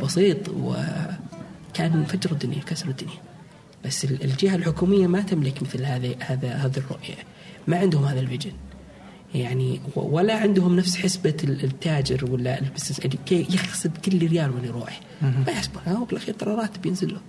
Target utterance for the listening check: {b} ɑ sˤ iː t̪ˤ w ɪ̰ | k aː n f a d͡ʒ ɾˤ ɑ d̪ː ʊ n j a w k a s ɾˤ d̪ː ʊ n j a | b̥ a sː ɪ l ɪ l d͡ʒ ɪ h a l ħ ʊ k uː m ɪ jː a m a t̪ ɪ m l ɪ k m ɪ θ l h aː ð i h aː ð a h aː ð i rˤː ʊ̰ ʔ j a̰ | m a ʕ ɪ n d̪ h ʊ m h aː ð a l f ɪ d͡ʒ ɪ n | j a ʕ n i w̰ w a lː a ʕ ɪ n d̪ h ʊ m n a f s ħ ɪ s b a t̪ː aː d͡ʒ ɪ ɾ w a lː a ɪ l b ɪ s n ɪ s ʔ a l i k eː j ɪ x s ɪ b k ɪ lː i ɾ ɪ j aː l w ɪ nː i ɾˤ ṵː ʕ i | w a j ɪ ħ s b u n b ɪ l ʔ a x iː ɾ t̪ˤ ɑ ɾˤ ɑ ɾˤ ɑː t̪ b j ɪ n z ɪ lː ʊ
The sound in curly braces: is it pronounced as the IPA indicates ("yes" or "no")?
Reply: yes